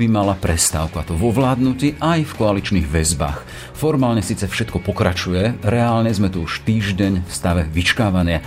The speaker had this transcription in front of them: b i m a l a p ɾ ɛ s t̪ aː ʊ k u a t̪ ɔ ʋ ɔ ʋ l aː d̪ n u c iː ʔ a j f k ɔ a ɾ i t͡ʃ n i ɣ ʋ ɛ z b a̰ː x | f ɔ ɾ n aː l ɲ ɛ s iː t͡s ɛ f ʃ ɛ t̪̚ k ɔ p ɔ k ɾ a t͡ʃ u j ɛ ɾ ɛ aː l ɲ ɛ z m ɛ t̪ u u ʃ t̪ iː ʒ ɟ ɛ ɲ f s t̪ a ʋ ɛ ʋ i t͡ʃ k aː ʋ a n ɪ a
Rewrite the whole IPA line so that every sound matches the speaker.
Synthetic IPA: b i m a l a p ɾ ɛ s t̪ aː ʊ k u a t̪ ɔ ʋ ɔ ʋ l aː d̪ n u c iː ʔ a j f k ɔ a l i t͡ʃ n i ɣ ʋ ɛ z b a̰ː x | f ɔ ɾ m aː l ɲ ɛ s iː t͡s ɛ f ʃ ɛ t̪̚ k ɔ p ɔ k ɾ a t͡ʃ u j ɛ ɾ ɛ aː l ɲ ɛ z m ɛ t̪ u u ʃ t̪ iː ʒ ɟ ɛ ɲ f s t̪ a ʋ ɛ ʋ i t͡ʃ k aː ʋ a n ɪ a